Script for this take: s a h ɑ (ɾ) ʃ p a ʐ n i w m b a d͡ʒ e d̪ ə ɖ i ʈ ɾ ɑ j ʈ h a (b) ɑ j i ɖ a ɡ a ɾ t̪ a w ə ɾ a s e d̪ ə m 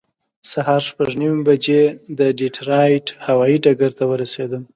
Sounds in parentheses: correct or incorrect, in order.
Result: correct, incorrect: w

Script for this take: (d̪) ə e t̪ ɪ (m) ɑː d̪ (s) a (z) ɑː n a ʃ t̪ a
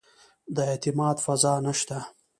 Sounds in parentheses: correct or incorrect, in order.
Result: correct, correct, incorrect: f, correct

